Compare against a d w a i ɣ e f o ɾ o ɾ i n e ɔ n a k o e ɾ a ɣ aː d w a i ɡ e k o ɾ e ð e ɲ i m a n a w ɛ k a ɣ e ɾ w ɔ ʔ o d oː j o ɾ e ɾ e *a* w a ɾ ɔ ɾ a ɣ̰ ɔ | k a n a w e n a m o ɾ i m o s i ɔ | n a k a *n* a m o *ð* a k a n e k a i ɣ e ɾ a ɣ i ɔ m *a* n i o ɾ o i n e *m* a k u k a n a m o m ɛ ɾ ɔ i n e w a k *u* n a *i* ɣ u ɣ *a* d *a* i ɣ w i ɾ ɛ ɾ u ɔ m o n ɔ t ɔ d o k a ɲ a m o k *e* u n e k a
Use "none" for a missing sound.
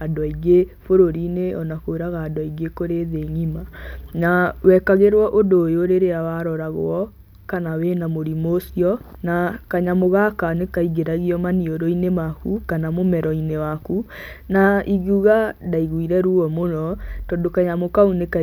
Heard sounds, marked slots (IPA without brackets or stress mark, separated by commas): a, ɲ, ɣ, a, m, u, i, a, a, a